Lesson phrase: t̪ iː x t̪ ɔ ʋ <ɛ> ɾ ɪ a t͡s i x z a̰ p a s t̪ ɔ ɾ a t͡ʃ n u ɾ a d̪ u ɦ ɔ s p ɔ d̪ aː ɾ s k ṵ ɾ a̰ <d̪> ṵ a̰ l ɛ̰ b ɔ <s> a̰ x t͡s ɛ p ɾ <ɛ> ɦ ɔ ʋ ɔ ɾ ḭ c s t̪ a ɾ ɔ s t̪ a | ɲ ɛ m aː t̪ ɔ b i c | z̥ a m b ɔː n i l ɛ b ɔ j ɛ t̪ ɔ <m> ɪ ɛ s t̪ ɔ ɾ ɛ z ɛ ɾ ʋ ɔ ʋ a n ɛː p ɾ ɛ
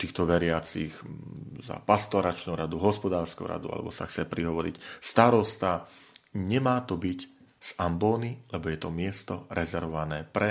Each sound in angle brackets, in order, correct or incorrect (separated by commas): correct, correct, correct, incorrect, correct